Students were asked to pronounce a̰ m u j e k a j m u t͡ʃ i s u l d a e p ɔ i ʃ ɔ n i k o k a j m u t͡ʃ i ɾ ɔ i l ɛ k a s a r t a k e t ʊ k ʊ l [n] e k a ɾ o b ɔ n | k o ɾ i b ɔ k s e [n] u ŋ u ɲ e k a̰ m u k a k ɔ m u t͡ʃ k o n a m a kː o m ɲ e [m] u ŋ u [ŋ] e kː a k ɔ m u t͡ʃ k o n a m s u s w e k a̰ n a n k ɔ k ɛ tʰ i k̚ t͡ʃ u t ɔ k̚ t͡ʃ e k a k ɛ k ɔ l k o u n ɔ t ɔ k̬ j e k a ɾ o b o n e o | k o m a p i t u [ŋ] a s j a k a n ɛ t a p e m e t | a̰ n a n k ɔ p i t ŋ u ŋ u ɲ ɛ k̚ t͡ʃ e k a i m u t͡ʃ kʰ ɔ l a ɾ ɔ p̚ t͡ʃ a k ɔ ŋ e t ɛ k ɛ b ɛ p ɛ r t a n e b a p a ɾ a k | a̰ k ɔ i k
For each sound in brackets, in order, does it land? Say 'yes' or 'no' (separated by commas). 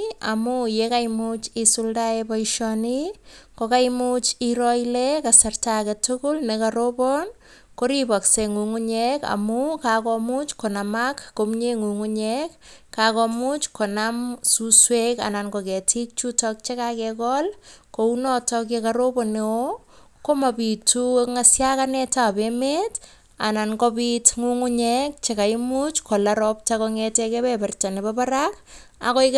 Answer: yes, no, no, no, yes